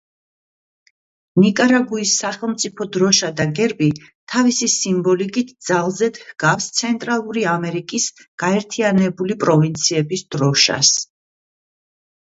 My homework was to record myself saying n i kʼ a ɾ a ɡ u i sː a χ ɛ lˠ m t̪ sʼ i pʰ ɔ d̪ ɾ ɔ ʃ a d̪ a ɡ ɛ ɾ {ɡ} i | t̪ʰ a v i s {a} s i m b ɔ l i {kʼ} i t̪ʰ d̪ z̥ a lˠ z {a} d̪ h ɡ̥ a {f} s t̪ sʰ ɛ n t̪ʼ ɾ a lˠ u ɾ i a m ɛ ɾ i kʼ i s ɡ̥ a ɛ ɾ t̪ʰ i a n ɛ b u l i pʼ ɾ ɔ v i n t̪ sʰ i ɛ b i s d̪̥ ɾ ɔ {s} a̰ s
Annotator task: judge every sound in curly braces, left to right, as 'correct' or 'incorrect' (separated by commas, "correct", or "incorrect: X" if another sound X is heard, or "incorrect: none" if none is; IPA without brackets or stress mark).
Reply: incorrect: b, incorrect: i, correct, incorrect: ɛ, correct, incorrect: ʃ